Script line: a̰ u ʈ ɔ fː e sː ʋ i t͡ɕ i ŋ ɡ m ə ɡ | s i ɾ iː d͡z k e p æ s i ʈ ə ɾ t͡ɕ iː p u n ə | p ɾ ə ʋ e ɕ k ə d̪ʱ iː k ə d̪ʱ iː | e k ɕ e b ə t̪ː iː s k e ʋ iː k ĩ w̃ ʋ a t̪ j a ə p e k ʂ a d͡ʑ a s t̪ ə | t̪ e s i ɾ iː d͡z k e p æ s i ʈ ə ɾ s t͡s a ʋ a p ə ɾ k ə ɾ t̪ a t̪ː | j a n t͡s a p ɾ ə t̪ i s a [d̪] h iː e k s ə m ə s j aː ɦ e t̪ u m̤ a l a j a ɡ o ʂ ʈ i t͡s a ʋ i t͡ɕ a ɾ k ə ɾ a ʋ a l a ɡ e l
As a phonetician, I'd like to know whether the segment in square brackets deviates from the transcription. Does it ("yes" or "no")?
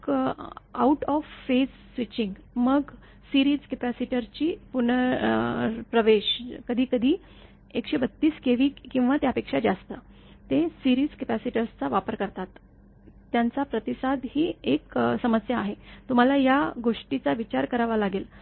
no